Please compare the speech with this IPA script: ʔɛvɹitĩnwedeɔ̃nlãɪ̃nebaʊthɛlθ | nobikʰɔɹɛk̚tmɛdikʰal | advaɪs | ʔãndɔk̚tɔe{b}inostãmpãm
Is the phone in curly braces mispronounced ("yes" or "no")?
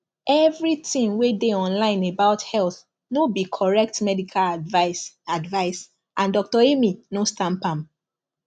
yes